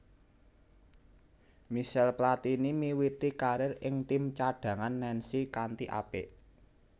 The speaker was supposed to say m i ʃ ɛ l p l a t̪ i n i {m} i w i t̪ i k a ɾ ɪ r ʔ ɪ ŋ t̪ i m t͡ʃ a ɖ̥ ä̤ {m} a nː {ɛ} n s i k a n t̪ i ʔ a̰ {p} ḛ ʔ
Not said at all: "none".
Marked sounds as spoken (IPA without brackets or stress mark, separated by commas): m, ŋ, ɛ, p